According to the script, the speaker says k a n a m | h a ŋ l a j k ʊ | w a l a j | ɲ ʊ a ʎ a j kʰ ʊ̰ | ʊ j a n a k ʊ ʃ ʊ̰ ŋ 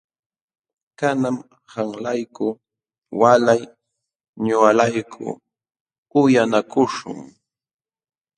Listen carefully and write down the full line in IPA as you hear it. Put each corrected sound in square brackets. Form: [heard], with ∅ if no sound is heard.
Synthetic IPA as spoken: k a n a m | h a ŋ l a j k ʊ | w a l a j | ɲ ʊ a [l] a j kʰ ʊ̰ | ʊ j a n a k ʊ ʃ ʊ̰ ŋ